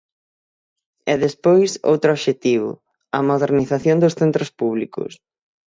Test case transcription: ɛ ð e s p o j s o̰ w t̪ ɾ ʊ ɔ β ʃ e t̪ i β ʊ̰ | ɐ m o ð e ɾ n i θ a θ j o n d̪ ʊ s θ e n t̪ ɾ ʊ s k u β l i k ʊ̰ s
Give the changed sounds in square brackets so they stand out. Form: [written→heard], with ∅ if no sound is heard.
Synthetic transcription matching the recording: ɛ ð e s p o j s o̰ w t̪ ɾ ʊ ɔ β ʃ e t̪ i β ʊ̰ | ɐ m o ð e ɾ n i θ a θ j o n d̪ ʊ s θ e n t̪ ɾ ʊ s [k→p] u β l i k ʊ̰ s